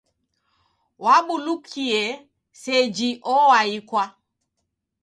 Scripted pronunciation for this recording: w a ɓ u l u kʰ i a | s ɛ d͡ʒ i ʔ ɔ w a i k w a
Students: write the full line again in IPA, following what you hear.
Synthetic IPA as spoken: w a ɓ u l u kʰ i ɛ | s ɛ d͡ʒ i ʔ ɔ w a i k w a

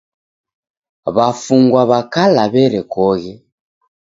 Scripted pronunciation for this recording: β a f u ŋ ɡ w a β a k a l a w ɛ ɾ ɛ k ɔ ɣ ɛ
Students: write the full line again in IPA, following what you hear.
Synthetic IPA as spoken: β a f u ŋ ɡ w a β a k a l a β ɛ ɾ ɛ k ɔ ɣ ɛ

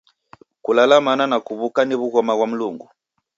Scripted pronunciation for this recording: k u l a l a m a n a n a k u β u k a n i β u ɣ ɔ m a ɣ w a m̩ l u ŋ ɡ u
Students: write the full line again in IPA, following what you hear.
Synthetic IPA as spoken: k u l a l a m a n a n a k u β u k a n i β u ɣ ɔ m a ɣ w a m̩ l u ŋ ɡ u

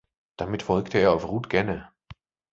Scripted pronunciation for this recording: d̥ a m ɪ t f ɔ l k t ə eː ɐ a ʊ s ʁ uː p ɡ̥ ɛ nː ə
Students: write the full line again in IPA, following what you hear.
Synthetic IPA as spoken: d̥ a m ɪ t f ɔ l k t ə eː ɐ a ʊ f ʁ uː t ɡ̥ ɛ n ə

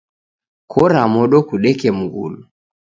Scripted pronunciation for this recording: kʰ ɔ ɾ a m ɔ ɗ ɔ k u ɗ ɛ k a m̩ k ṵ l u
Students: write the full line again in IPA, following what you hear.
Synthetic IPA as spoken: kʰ ɔ ɾ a m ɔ ɗ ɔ k u ɗ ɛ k ɛ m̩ ɡ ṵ l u

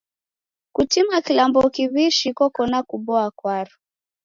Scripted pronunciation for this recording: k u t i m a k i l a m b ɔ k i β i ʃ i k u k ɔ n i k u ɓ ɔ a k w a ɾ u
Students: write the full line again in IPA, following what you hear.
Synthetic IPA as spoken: k u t i m a k i l a m b ɔ k i β i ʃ i k ɔ k ɔ n a k u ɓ ɔ a k w a ɾ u

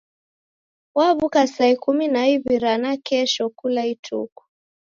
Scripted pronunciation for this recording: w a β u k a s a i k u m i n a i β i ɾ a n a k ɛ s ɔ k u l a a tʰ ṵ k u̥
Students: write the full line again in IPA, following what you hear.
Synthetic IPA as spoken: w a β u k a s a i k u m i n a i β i ɾ a n a k ɛ ʃ ɔ k u l a i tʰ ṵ k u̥

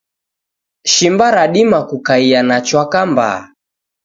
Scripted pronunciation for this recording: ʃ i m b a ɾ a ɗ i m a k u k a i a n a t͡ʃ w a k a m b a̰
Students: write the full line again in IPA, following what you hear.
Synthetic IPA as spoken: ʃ i m b a ɾ a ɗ i m a k u k a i a n a t͡ʃ w a k a m b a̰

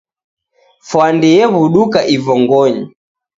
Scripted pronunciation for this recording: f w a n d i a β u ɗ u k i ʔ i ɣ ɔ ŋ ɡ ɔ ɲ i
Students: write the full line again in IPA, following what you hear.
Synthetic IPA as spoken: f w a n d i ɛ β u ɗ u k a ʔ i v ɔ ŋ ɡ ɔ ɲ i

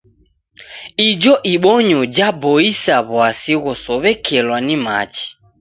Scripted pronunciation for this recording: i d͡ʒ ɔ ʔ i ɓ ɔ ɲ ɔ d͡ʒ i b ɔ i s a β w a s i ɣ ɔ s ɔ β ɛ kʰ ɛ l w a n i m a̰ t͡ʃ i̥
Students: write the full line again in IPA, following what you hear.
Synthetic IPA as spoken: i d͡ʒ ɔ ʔ i ɓ ɔ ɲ ɔ d͡ʒ a b ɔ i s a β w a s i ɣ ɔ s ɔ β ɛ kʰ ɛ l w a n i m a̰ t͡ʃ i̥

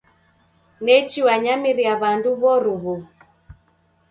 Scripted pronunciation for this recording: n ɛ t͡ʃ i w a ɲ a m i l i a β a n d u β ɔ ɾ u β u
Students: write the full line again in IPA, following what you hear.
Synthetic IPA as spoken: n ɛ t͡ʃ i w a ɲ a m i ɾ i a β a n d u β ɔ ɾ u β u

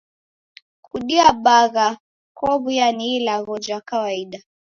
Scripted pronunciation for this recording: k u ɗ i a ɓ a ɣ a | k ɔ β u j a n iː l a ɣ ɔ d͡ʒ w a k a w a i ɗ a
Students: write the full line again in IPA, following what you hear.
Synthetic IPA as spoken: k u ɗ i a ɓ a ɣ a | k ɔ β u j a n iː l a ɣ ɔ d͡ʒ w a k a w a i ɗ a

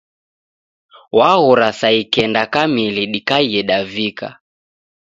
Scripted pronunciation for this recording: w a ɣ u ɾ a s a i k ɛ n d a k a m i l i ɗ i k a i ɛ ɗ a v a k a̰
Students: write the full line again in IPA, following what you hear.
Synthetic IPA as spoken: w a ɣ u ɾ a s a i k ɛ n d a k a m i l i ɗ i k a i ɛ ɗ a v i k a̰

